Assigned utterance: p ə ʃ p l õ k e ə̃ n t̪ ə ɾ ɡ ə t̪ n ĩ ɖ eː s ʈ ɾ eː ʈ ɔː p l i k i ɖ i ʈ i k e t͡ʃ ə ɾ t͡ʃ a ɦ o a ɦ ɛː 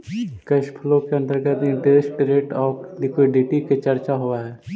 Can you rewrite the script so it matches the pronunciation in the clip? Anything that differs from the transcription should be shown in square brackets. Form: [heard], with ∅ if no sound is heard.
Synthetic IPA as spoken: [k] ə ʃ [pʰ] l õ k e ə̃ n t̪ ə ɾ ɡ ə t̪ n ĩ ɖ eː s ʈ ɾ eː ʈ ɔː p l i k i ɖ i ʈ i k e t͡ʃ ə ɾ t͡ʃ a ɦ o a ɦ ɛː